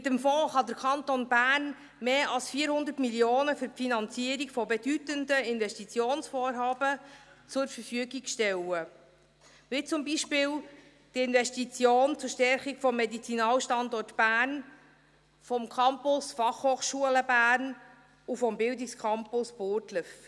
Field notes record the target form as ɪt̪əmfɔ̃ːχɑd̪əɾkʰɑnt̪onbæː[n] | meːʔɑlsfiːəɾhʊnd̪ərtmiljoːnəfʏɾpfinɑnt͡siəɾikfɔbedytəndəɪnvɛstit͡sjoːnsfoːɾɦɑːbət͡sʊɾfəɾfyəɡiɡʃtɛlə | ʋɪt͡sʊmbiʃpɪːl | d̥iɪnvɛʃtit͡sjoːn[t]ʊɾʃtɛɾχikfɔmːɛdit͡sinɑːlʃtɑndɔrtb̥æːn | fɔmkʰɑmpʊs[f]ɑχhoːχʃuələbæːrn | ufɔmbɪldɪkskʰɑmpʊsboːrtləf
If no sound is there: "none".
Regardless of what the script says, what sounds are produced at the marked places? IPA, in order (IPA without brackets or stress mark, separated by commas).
n, t͡s, f